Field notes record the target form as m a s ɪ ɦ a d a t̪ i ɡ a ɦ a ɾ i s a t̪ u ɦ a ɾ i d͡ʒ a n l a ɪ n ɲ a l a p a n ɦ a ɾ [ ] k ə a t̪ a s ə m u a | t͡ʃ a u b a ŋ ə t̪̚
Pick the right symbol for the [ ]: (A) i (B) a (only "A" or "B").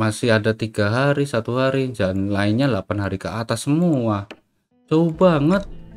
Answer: A